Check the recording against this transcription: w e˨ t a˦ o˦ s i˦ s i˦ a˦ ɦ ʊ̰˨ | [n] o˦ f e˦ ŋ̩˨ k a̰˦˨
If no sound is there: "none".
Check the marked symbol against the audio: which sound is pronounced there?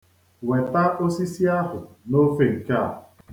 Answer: n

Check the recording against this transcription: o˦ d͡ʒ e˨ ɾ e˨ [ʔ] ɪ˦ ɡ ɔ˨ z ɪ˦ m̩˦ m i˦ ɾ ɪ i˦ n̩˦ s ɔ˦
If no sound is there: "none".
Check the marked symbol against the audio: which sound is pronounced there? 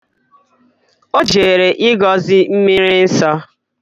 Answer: ʔ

